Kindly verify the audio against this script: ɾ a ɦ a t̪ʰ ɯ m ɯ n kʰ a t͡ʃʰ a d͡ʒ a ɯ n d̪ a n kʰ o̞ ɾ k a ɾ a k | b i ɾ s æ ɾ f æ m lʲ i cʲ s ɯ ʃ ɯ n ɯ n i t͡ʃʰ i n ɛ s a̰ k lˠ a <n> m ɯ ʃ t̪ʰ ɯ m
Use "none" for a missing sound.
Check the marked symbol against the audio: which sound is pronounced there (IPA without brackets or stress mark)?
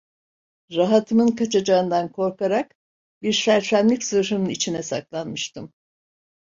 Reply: n